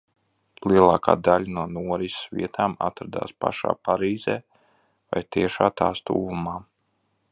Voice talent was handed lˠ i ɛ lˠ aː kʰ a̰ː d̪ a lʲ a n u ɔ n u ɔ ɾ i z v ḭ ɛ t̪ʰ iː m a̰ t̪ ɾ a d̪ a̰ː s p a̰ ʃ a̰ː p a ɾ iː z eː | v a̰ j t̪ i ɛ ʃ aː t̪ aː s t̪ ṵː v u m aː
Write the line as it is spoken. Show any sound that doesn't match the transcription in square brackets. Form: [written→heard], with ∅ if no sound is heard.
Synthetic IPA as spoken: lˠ i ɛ lˠ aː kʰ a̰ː d̪ a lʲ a n u ɔ n u ɔ ɾ i [z→s] v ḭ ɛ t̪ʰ [iː→aː] m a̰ t̪ ɾ a d̪ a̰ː s p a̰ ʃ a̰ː p a ɾ iː z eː | v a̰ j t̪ i ɛ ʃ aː t̪ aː s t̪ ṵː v u m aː